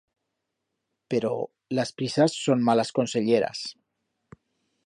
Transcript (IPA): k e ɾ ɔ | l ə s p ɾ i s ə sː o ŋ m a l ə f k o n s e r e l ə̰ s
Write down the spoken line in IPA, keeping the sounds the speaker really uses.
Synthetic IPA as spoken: p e ɾ ɔ | l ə s p ɾ i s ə sː o n m a l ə s k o n s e ʎ e ɾ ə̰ s

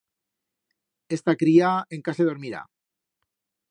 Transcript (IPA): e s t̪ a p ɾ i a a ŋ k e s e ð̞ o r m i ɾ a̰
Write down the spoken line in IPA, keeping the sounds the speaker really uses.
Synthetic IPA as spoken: e s t̪ a k ɾ i a e ŋ k a s e ð̞ o ɾ m i ɾ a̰

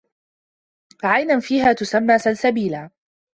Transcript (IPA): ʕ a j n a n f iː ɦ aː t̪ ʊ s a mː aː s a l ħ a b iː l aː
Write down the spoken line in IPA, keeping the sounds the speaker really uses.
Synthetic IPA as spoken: ʕ a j n a n f iː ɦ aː t̪ ʊ s a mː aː s a l s a b iː l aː

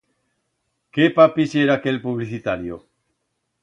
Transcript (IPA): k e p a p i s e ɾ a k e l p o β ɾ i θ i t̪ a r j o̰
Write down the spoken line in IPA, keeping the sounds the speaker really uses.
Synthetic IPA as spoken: k e p a p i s e ɾ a k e l p u β l i θ i t̪ a ɾ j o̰

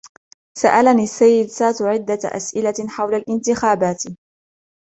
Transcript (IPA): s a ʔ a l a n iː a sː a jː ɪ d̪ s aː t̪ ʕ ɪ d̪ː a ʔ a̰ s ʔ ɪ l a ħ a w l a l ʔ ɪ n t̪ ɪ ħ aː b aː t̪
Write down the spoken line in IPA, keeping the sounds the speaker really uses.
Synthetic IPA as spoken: s a ʔ a l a n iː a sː a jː ɪ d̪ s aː t̪ ʕ ɪ d̪ː a ʔ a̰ s ʔ ɪ l a ħ a w l a l ʔ ɪ n t̪ ɪ x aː b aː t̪

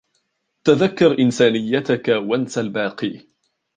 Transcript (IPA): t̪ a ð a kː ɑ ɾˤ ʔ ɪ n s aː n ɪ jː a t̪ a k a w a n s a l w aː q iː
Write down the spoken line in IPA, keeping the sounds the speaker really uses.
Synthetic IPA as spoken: t̪ a ð a kː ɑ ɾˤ ʔ ɪ n s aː n ɪ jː a t̪ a k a w a n s a l b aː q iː

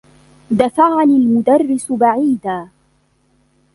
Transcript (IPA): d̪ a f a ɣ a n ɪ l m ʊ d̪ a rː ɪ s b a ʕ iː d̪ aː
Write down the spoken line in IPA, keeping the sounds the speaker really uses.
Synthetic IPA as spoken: d̪ a f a ʕ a n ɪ l m ʊ d̪ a rː ɪ s b a ʕ iː d̪ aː

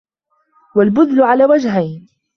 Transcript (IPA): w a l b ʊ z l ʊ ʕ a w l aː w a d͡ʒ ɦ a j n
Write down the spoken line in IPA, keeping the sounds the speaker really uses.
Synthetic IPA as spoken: w a l b ʊ ð l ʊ ʕ a l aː w a d͡ʒ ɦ a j n

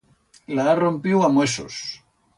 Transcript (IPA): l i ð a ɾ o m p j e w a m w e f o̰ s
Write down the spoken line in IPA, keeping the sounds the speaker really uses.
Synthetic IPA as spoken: l a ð a r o m p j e w a m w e s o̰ s

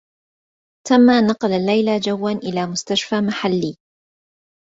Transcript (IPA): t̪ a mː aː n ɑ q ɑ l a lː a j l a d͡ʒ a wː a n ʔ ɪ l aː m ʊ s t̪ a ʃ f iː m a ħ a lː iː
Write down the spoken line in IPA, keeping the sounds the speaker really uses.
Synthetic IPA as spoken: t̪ a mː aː n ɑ q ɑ l a lː a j l a d͡ʒ a wː a n ʔ ɪ l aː m ʊ s t̪ a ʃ f aː m a ħ a lː iː

